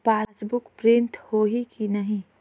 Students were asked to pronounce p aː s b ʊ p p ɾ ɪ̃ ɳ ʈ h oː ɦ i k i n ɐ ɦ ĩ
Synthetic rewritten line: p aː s b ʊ k p ɾ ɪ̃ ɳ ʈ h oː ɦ i k i n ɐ ɦ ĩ